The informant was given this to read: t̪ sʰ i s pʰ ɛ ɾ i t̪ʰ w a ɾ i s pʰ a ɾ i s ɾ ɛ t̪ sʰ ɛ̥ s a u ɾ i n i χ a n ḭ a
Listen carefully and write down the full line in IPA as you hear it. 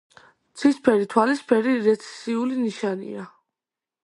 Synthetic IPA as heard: t̪ sʰ i s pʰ ɛ ɾ i t̪ʰ w a l i s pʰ ɛ ɾ i ɾ ɛ t̪ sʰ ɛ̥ s i u l i n i ʃ a n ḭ a

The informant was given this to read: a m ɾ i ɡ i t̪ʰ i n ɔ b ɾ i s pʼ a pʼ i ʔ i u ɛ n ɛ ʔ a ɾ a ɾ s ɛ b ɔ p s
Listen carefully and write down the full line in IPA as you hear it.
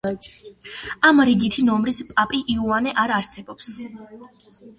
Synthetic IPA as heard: a m ɾ i ɡ i t̪ʰ i n ɔ m ɾ i s pʼ a pʼ i ʔ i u a n ɛ ʔ a ɾ a ɾ s ɛ b ɔ p s

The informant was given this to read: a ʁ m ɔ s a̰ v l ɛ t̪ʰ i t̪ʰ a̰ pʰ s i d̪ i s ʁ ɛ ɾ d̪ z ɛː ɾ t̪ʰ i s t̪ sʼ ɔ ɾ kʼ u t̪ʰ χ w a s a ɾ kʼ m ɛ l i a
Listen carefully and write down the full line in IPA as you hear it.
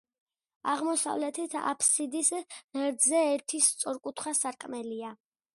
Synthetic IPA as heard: a ʁ m ɔ s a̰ v l ɛ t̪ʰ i t̪ʰ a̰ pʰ s i d̪ i s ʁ ɛ ɾ d̪ z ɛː ɾ t̪ʰ i s t̪ sʼ ɔ ɾ kʼ u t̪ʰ χ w a s a ɾ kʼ m ɛ l i a

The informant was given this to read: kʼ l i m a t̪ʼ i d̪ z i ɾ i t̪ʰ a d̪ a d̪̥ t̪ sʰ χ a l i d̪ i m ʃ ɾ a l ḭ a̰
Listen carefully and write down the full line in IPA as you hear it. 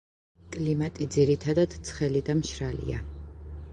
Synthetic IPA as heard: kʼ l i m a t̪ʼ i d̪ z i ɾ i t̪ʰ a d̪ a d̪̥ t̪ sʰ χ ɛ l i d̪ a m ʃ ɾ a l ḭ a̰

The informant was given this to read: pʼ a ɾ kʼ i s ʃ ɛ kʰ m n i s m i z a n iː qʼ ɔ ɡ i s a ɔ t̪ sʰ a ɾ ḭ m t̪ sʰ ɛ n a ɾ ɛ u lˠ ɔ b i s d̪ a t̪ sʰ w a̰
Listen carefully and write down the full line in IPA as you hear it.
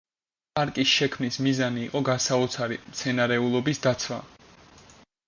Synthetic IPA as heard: pʼ a ɾ kʼ i s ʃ ɛ kʰ m n i s m i z a n iː qʼ ɔ ɡ a s a ɔ t̪ sʰ a ɾ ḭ m t̪ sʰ ɛ n a ɾ ɛ u lˠ ɔ b i s d̪ a t̪ sʰ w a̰

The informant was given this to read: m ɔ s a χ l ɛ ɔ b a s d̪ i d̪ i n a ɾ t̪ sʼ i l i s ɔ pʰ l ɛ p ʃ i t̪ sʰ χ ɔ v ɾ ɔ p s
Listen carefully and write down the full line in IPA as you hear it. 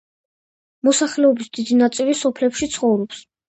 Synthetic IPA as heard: m ɔ s a χ l ɛ ɔ b i s d̪ i d̪ i n a t̪ sʼ i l i s ɔ pʰ l ɛ p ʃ i t̪ sʰ χ ɔ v ɾ ɔ p s

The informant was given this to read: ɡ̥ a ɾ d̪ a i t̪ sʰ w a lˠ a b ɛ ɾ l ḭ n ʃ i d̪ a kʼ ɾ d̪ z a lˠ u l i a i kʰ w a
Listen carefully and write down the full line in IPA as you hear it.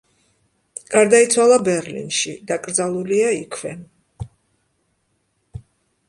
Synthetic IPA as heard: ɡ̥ a ɾ d̪ a i t̪ sʰ w a lˠ a b ɛ ɾ l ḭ n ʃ i d̪ a kʼ ɾ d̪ z a lˠ u l i a i kʰ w ɛ

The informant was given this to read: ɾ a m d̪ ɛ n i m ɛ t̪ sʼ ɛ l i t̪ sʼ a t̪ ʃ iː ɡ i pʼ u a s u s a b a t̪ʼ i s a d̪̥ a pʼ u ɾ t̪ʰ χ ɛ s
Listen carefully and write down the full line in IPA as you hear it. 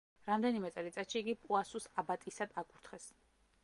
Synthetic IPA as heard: ɾ a m d̪ ɛ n i m ɛ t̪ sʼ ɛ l i t̪ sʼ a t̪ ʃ iː ɡ i pʼ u a s u s a b a t̪ʼ i s a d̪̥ a kʼ u ɾ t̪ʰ χ ɛ s

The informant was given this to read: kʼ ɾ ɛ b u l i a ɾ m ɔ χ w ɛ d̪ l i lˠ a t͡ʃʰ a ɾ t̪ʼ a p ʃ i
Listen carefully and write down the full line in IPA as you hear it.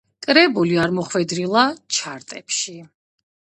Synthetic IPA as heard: kʼ ɾ ɛ b u l i a ɾ m ɔ χ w ɛ d̪ ɾ i lˠ a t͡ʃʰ a ɾ t̪ʼ ɛ p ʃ i

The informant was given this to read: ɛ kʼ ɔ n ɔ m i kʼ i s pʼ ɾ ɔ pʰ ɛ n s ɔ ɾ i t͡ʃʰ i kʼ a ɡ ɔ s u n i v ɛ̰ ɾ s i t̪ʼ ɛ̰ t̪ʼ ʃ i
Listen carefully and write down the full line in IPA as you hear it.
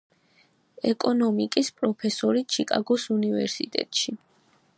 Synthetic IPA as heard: ɛ kʼ ɔ n ɔ m i kʼ i s pʼ ɾ ɔ pʰ ɛ s ɔ ɾ i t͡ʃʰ i kʼ a ɡ ɔ s u n i v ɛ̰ ɾ s i t̪ʼ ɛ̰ t̪ʼ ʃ i

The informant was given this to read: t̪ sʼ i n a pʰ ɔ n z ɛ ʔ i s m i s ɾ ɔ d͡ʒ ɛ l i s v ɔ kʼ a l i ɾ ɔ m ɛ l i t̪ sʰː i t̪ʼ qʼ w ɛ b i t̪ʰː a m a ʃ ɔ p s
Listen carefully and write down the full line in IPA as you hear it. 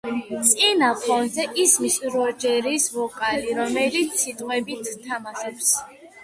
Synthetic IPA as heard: t̪ sʼ i n a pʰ ɔ n z ɛ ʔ i s m i s ɾ ɔ d͡ʒ ɛ ɾ i s v ɔ kʼ a l i ɾ ɔ m ɛ l i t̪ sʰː i t̪ʼ qʼ w ɛ b i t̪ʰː a m a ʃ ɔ p s

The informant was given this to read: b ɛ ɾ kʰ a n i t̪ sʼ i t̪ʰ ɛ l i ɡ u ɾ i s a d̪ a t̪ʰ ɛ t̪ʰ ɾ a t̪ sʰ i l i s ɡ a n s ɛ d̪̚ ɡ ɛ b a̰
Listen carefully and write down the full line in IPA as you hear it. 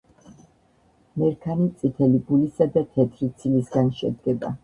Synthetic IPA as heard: m ɛ ɾ kʰ a n i t̪ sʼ i t̪ʰ ɛ l i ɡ u l i s a d̪ a t̪ʰ ɛ t̪ʰ ɾ i t̪ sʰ i l i s ɡ a n ʃ ɛ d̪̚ ɡ ɛ b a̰

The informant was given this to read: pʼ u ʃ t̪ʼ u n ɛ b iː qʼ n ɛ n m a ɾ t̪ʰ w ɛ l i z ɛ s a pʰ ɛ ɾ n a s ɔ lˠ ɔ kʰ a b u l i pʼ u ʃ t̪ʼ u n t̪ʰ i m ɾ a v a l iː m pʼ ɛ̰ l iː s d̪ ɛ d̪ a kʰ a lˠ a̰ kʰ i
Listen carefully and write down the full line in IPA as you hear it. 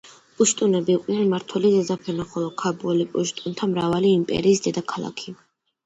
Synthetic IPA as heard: pʼ u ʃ t̪ʼ u n ɛ b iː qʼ n ɛ n m a ɾ t̪ʰ w ɛ l i z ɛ z a pʰ ɛ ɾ n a χ ɔ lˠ ɔ kʰ a b u l i pʼ u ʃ t̪ʼ u n t̪ʰ a m ɾ a v a l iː m pʼ ɛ̰ ɾ iː s d̪ ɛ d̪ a kʰ a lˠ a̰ kʰ i

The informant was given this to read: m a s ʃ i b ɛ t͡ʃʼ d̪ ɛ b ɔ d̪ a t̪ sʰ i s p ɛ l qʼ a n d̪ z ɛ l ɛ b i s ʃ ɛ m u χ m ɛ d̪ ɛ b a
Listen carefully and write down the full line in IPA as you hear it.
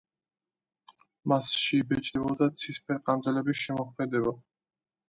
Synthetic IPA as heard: m a s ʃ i b ɛ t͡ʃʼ d̪ ɛ b ɔ d̪ a t̪ sʰ i s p ɛ ɾ qʼ a n d̪ z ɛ l ɛ b i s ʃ ɛ m ɔ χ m ɛ d̪ ɛ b a

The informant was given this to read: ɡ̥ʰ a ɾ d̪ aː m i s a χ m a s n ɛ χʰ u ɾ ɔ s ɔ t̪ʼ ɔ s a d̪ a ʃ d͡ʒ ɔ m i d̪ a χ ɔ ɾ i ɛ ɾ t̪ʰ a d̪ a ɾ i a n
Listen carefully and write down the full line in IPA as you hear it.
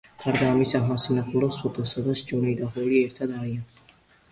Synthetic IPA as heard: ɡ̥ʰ a ɾ d̪ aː m i s a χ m a s n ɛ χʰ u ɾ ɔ s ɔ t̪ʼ ɔ s a d̪ a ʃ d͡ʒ ɔ n i d̪ a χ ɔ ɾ i ɛ ɾ t̪ʰ a d̪ a ɾ i a n

